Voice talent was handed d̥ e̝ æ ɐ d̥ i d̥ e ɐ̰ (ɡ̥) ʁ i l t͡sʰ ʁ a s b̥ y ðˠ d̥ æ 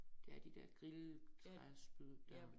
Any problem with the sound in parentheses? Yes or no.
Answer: no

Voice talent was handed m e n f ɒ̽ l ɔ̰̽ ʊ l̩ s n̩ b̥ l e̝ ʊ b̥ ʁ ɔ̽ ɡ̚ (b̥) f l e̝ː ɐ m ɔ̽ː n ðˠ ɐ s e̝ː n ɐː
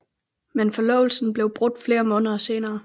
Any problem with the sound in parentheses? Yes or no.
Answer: yes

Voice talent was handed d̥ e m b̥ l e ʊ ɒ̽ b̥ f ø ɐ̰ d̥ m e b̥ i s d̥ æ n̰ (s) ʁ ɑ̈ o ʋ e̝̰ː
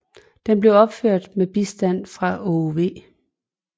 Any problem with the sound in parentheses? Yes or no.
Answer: yes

